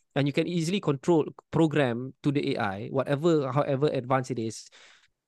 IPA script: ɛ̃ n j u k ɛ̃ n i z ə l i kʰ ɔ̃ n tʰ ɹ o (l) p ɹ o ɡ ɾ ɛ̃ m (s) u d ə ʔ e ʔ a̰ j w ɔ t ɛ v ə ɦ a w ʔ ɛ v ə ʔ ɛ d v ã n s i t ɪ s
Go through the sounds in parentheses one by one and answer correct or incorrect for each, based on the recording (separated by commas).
correct, incorrect